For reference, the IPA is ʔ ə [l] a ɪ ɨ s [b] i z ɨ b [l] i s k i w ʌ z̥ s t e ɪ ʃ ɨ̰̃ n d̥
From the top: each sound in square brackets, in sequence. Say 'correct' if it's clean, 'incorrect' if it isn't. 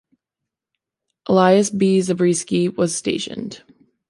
correct, correct, incorrect: ɹ

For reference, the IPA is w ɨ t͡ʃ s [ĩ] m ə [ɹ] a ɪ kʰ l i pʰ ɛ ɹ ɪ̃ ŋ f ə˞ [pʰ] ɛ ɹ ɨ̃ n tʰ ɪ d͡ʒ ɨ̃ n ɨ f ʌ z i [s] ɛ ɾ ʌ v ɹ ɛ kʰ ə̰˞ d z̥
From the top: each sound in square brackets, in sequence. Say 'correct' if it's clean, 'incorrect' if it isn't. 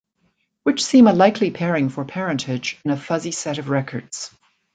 correct, incorrect: l, correct, correct

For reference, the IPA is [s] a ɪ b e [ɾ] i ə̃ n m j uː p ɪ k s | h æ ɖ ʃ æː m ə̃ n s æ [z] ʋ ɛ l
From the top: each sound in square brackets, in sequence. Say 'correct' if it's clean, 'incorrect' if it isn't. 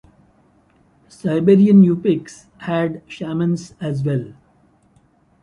correct, correct, correct

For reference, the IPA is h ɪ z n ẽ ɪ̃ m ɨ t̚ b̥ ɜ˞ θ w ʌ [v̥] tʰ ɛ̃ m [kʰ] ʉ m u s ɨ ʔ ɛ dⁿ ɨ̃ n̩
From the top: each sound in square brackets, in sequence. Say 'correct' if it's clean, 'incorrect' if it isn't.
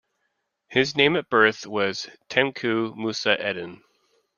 incorrect: z̥, correct

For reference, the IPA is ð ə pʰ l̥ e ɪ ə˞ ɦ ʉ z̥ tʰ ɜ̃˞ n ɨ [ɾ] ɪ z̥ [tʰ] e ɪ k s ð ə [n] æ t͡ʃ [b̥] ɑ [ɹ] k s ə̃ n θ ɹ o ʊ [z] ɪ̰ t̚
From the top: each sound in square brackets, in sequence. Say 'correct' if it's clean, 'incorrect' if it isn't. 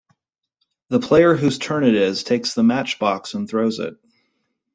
correct, correct, incorrect: m, correct, incorrect: none, correct

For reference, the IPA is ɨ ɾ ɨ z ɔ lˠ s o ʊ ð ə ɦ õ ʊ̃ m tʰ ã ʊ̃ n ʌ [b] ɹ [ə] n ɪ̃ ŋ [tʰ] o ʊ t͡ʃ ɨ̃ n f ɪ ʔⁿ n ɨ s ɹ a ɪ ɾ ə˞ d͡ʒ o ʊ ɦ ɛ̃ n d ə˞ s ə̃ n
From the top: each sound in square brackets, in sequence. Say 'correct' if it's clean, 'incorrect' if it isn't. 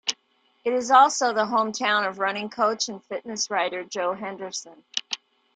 incorrect: v, incorrect: ʌ, incorrect: kʰ

